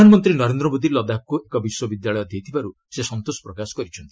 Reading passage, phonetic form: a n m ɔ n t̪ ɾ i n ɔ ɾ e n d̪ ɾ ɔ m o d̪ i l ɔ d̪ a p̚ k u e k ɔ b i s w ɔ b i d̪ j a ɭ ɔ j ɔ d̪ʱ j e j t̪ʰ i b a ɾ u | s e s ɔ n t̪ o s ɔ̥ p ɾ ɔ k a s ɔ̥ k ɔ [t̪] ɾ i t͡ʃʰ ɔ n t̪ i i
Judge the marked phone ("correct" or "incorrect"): incorrect